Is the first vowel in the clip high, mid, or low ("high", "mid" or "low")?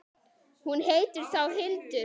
high